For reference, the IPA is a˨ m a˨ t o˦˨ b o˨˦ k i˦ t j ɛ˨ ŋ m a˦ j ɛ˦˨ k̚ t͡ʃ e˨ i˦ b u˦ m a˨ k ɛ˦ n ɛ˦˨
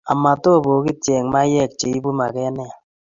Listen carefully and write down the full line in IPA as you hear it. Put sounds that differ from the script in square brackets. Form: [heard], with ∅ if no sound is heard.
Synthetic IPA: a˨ m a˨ t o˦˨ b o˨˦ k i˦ t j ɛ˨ ŋ m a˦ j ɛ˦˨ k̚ t͡ʃ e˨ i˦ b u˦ m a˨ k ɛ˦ n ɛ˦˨